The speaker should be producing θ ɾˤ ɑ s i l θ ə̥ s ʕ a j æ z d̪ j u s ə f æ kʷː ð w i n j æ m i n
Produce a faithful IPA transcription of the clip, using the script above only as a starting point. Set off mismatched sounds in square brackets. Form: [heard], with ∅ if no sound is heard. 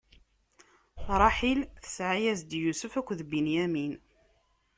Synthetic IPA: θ ɾˤ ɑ [ħ] i l θ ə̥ s ʕ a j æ z d̪ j u s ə f æ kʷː ð [b] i n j æ m i n